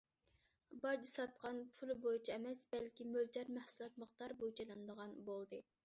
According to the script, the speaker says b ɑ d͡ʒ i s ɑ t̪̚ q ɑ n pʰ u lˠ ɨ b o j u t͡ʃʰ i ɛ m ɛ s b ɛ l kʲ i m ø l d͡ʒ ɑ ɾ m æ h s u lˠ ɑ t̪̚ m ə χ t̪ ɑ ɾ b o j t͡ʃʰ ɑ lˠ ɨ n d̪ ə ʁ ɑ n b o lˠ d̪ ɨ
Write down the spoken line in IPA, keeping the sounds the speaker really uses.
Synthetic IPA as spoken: b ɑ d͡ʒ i s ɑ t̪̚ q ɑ n pʰ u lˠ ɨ b o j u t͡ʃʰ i ɛ m ɛ s b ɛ l kʲ i m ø l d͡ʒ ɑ ɾ m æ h s u lˠ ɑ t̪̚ m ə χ t̪ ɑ ɾ b o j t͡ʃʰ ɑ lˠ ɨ n d̪ ə ʁ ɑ n b o lˠ d̪ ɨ